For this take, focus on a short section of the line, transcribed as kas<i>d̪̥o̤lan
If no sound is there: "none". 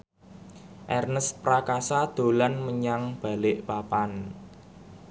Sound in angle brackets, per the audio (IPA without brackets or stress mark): a